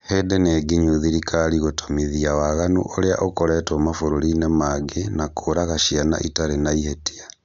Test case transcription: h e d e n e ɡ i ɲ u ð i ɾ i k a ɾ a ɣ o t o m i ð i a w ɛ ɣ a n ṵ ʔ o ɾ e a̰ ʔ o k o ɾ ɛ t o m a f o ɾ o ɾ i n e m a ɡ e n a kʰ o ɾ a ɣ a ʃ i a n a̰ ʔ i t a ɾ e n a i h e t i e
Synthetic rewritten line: h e d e n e ɡ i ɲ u ð i ɾ i k a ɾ i ɣ o t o m i ð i a w a ɣ a n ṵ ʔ o ɾ e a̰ ʔ o k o ɾ ɛ t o m a f o ɾ o ɾ i n e m a ɡ e n a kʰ o ɾ a ɣ a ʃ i a n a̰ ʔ i t a ɾ e n a i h e t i a